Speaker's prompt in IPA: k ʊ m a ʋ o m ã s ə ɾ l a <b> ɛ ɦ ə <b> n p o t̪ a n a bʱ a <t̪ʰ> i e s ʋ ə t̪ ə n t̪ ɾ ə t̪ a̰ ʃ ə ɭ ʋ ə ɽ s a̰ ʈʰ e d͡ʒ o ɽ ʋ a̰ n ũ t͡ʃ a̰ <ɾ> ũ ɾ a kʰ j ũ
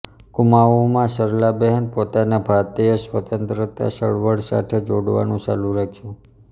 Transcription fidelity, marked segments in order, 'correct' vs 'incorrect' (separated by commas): correct, incorrect, incorrect, incorrect